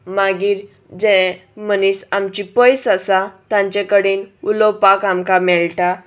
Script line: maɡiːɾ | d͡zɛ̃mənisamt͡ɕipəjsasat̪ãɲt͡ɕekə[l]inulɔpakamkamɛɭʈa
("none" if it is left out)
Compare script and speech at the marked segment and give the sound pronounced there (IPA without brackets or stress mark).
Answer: ɽ